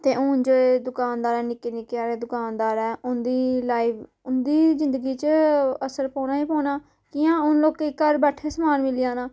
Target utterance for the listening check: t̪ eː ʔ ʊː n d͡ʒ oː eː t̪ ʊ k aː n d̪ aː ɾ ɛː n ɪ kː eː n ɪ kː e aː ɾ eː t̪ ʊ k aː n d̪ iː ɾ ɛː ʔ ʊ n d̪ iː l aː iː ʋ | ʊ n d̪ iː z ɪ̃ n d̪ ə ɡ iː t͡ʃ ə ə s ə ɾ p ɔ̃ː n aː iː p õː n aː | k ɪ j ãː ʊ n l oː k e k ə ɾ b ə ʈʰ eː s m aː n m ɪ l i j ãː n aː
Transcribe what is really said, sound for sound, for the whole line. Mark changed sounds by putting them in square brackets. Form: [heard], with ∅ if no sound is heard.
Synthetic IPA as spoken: t̪ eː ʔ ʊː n d͡ʒ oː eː [d̪] ʊ k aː n d̪ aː ɾ ɛː n ɪ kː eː n ɪ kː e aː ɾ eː [d̪] ʊ k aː n d̪ [aː] ɾ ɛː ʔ ʊ n d̪ iː l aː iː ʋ | ʊ n d̪ iː z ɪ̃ n d̪ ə ɡ iː t͡ʃ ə ə s ə ɾ p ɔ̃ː n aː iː p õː n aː | k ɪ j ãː ʊ n l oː k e k ə ɾ b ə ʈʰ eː s m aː n m ɪ l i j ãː n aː

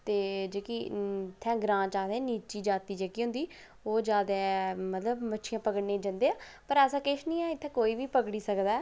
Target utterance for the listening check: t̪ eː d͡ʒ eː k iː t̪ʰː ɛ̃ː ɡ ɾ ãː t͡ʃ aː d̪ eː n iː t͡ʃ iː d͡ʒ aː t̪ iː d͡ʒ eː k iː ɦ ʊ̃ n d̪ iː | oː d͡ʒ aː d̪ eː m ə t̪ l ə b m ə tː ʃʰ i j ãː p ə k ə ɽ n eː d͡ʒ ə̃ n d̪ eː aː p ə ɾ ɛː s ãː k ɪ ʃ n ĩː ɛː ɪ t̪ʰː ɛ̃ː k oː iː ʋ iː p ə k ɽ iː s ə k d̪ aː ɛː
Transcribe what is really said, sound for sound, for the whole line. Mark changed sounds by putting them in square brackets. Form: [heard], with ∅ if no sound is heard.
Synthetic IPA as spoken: t̪ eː d͡ʒ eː k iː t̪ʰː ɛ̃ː ɡ ɾ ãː t͡ʃ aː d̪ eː n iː t͡ʃ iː d͡ʒ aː t̪ iː d͡ʒ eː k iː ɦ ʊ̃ n d̪ iː | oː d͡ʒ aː d̪ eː m ə t̪ l ə b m ə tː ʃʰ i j ãː p ə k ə ɽ n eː d͡ʒ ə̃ n d̪ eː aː p ə ɾ ɛː s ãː k ɪ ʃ n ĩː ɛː ɪ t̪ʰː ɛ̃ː k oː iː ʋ iː p ə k ɽ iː s ə k d̪ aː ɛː

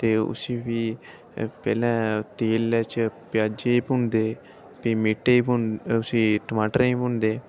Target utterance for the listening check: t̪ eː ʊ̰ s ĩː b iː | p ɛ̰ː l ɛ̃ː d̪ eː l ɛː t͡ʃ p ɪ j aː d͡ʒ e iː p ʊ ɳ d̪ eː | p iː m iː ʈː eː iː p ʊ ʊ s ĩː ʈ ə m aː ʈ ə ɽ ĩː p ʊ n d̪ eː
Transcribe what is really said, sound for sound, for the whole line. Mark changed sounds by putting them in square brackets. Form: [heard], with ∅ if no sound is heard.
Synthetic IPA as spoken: t̪ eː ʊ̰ s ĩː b iː | p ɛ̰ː l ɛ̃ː [t̪] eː l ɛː t͡ʃ p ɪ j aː d͡ʒ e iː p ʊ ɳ d̪ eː | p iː m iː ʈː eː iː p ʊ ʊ s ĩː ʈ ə m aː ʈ ə [ɾ] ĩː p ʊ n d̪ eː

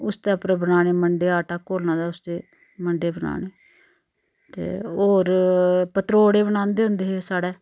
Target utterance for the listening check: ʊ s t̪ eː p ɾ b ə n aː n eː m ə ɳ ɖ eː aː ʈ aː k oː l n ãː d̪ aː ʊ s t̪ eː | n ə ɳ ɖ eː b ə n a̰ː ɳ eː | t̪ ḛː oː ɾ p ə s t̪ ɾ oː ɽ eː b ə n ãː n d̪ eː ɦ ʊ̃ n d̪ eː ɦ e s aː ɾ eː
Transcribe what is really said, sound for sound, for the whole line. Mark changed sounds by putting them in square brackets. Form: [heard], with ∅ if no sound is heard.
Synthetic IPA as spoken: ʊ s t̪ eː p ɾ b ə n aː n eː m ə ɳ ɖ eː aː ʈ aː k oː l n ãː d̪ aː ʊ s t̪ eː | [m] ə ɳ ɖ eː b ə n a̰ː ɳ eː | t̪ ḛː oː ɾ p ə [∅] t̪ ɾ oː ɽ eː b ə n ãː n d̪ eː ɦ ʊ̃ n d̪ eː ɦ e s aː [ɽ] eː

